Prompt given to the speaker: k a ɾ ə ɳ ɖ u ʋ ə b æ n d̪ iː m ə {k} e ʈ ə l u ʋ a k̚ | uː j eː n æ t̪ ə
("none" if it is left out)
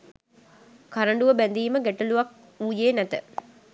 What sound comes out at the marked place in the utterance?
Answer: ɡ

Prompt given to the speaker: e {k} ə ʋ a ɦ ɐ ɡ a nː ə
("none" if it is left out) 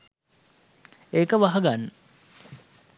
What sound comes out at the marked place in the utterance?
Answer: k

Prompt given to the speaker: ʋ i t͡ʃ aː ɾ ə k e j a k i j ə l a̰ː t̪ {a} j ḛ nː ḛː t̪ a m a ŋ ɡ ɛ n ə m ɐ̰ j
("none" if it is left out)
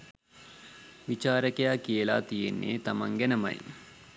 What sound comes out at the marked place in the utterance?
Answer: i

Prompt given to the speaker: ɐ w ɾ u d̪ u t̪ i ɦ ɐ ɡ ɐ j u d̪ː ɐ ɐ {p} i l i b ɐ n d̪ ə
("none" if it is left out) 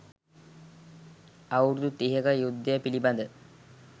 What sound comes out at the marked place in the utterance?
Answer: p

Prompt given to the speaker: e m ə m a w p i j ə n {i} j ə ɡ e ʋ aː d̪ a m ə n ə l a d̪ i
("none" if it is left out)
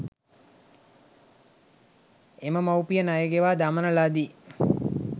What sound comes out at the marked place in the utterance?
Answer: a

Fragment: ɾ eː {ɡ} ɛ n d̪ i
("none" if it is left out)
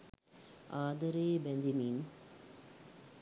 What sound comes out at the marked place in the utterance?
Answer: b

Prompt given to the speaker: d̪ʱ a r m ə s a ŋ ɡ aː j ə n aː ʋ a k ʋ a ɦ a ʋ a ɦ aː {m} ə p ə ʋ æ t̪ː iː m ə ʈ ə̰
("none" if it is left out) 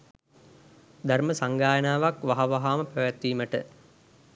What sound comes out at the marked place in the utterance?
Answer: m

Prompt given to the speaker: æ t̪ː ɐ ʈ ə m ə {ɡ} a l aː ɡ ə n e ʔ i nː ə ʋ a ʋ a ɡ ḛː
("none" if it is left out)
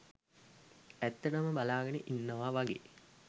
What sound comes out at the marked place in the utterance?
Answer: b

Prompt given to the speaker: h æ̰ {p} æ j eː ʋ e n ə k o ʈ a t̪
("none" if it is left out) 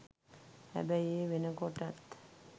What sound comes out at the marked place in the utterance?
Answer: b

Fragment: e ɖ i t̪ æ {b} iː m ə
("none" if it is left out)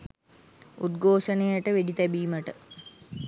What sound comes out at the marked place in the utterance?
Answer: b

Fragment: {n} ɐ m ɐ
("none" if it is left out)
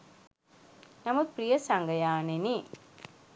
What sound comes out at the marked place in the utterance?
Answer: n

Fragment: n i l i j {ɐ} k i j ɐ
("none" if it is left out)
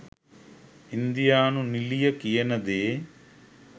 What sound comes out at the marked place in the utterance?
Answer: ɐ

